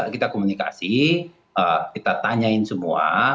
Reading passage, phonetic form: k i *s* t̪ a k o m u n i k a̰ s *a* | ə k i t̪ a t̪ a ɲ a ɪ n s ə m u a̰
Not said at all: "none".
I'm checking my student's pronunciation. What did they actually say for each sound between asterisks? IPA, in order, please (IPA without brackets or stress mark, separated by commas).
none, i